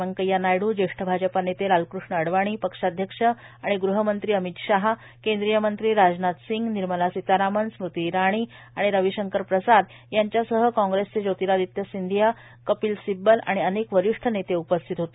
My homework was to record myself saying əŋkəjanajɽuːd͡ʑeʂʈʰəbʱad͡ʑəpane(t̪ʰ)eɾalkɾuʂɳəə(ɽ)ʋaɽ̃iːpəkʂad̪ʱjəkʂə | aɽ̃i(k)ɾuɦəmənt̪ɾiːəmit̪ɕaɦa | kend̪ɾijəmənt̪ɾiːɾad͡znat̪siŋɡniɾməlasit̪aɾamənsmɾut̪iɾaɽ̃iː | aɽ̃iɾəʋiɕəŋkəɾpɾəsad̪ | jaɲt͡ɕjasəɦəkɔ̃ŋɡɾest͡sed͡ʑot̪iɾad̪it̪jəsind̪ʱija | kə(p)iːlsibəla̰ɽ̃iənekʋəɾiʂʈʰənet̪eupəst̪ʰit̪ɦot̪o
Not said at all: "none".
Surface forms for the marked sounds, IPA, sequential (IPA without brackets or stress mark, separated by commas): t̪, ɽ, ɡ, p